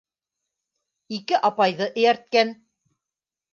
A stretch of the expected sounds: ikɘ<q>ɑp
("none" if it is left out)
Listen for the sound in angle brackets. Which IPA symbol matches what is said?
ʔ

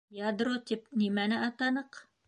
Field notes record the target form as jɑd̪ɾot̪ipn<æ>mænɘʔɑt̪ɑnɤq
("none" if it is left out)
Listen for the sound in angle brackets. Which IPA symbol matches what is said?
i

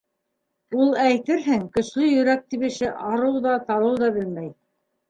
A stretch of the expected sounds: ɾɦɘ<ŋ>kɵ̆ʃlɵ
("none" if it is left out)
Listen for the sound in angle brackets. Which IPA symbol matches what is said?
ŋ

